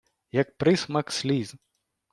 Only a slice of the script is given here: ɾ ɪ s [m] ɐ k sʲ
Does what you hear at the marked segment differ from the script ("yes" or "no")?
no